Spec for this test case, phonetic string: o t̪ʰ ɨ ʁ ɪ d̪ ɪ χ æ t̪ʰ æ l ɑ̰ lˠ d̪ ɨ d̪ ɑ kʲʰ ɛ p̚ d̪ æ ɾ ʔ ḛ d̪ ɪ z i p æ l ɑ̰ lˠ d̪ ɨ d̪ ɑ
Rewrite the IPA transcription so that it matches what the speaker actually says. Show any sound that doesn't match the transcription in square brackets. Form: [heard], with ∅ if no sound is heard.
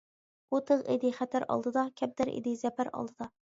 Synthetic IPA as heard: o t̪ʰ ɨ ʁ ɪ d̪ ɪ χ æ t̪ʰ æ [ɾ] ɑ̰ lˠ d̪ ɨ d̪ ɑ kʲʰ ɛ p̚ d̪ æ ɾ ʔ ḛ d̪ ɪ z [ɛ] p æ [ɾ] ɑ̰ lˠ d̪ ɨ d̪ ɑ